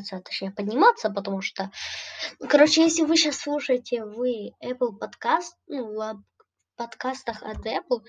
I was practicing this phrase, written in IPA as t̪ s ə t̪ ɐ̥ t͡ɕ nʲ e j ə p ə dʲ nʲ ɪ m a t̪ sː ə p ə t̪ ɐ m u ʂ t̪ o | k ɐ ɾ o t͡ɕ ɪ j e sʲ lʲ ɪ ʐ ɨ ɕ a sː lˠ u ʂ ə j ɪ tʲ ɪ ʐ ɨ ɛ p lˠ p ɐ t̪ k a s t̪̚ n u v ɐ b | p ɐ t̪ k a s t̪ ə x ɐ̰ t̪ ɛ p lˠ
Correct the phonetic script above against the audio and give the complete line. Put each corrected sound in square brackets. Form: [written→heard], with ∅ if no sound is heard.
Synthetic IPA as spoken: t̪ s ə t̪ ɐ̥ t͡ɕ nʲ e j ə p ə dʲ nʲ ɪ m a t̪ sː ə p ə t̪ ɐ m u ʂ t̪ o | k ɐ ɾ o t͡ɕ ɪ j e sʲ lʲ ɪ [ʐ→v] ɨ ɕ a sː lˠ u ʂ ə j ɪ tʲ ɪ [ʐ→v] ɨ ɛ p lˠ p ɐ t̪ k a s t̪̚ n u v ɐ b | p ɐ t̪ k a s t̪ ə x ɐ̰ t̪ ɛ p lˠ